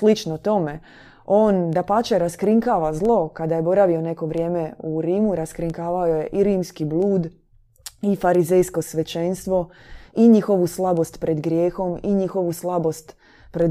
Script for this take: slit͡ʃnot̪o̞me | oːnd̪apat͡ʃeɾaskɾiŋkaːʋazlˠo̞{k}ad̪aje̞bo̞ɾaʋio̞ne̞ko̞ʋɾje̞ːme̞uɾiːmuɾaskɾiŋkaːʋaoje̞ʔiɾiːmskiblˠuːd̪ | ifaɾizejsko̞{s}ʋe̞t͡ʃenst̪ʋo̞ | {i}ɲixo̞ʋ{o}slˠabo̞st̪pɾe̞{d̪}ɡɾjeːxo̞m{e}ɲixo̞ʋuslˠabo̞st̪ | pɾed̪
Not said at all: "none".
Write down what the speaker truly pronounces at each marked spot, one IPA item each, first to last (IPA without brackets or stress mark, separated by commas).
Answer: k, s, i, u, d̪, i